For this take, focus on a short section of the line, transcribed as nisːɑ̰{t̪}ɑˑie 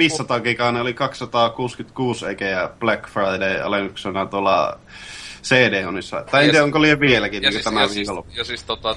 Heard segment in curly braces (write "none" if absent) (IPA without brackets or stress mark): t̪